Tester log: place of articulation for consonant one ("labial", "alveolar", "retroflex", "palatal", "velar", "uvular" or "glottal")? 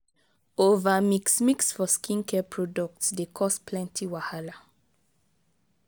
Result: labial